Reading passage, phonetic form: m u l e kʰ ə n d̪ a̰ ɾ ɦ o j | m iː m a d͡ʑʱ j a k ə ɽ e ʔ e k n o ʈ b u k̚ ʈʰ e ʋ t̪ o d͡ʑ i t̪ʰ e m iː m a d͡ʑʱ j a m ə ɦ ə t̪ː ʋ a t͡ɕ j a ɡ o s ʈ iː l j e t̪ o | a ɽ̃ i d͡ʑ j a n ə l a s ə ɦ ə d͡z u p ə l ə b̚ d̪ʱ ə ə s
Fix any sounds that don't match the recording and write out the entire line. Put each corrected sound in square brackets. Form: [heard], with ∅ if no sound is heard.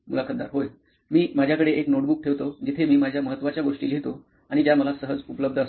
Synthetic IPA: m u l [a] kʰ ə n d̪ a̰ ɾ ɦ o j | m iː m a d͡ʑʱ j a k ə ɽ e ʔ e k n o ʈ b u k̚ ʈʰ e ʋ t̪ o d͡ʑ i t̪ʰ e m iː m a d͡ʑʱ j a m ə ɦ ə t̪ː ʋ a t͡ɕ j a ɡ o [ʂ] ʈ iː l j e t̪ o | a ɽ̃ i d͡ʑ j a [m] ə l a s ə ɦ ə d͡z u p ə l ə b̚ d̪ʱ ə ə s